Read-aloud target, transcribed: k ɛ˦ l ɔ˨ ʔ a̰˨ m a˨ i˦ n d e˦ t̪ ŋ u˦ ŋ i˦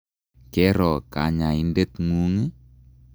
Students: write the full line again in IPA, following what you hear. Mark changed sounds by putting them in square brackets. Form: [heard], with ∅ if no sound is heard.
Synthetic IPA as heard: k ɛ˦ [ɾ] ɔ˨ [k] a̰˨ [ɲ] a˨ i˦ n d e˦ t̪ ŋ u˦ ŋ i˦